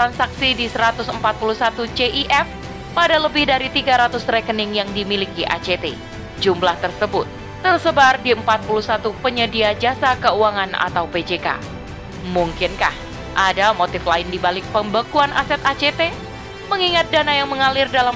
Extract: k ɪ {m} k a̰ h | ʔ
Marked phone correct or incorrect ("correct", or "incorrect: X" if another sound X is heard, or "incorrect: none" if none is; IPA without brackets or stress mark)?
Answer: incorrect: n